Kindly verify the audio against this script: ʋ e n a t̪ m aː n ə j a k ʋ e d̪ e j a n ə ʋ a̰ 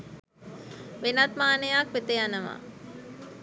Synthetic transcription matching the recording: ʋ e n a t̪ m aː n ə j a k ʋ e t̪ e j a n ə ʋ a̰

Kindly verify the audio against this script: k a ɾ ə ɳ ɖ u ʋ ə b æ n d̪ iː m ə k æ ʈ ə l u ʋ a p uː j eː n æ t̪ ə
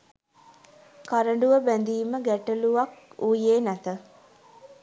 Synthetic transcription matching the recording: k a ɾ ə ɳ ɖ u ʋ ə b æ n d̪ iː m ə ɡ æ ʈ ə l u ʋ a k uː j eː n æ t̪ ə

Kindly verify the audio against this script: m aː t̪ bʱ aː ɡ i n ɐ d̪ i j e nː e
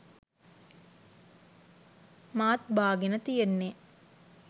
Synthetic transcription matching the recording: m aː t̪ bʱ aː ɡ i n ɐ t̪ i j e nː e

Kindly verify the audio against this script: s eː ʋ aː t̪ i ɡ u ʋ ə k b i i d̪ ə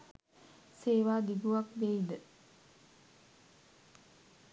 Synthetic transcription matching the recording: s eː ʋ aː d̪ i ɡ u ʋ a k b e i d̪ ə

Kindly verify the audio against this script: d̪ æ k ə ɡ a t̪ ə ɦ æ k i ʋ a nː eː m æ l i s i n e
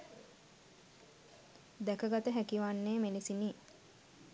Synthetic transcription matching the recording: d̪ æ k ə ɡ a t̪ ə ɦ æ k i ʋ a nː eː m e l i s i n i

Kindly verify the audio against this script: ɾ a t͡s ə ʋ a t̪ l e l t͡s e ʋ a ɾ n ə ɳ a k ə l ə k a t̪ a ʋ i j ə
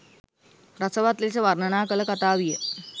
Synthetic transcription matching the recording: ɾ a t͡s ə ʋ a t̪ l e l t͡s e ʋ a ɾ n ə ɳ a k ə l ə k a t̪ a ʋ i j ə

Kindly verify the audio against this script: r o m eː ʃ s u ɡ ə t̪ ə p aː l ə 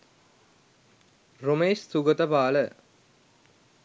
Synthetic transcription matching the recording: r o m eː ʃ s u ɡ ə t̪ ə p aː l ə

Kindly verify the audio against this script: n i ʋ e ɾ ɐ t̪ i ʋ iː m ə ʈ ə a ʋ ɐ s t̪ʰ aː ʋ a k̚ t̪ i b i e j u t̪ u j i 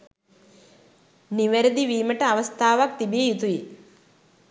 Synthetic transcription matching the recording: n i ʋ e ɾ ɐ d̪ i ʋ iː m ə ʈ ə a ʋ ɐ s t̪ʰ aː ʋ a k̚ t̪ i b i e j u t̪ u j i

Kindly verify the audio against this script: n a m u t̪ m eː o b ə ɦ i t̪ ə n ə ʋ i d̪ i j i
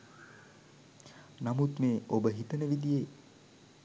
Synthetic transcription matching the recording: n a m u t̪ m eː o b ə ɦ i t̪ ə n ə ʋ i d̪ i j e

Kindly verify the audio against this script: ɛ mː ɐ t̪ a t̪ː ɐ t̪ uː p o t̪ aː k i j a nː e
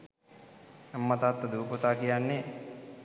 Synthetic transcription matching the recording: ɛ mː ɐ t̪ a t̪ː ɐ d̪ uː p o t̪ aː k i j a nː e

